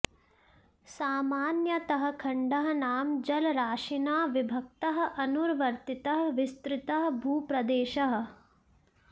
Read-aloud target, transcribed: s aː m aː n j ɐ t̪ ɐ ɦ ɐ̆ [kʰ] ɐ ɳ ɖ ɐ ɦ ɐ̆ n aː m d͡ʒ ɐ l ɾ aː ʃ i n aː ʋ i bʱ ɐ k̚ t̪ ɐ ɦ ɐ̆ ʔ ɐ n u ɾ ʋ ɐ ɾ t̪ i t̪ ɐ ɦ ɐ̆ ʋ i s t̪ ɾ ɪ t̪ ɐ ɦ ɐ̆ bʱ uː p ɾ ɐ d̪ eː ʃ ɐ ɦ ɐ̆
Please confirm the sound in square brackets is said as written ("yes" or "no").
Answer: yes